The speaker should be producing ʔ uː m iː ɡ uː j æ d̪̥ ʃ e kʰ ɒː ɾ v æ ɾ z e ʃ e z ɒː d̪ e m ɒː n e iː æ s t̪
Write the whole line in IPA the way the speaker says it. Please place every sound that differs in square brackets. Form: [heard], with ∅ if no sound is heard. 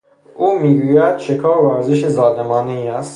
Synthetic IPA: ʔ uː m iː ɡ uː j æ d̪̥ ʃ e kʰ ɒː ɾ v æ ɾ z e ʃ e z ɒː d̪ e m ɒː n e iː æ s t̪

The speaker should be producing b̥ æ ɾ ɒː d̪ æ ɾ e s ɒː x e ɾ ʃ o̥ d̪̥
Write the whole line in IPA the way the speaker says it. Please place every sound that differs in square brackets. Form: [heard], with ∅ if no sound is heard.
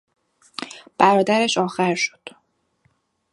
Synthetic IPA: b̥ æ ɾ ɒː d̪ æ ɾ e [ʃ] ɒː x [æ] ɾ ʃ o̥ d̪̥

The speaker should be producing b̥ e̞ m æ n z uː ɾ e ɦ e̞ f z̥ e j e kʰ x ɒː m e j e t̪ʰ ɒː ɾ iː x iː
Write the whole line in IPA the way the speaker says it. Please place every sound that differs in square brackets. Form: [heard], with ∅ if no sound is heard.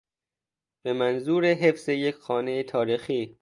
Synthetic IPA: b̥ e̞ m æ n z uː ɾ e ɦ e̞ f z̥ e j e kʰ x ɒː [n] e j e t̪ʰ ɒː ɾ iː x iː

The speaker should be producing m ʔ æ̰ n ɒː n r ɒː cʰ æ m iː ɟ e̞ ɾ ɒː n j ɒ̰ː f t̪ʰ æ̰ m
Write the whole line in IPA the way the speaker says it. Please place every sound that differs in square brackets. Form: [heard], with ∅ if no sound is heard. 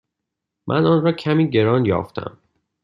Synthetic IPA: m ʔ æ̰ n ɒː n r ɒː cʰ æ m iː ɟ e̞ ɾ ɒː n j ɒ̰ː f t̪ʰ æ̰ m

